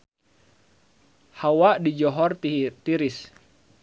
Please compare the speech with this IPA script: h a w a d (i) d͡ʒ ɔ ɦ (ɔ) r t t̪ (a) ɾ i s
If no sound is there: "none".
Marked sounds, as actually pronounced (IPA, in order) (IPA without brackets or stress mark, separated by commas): i, ɔ, i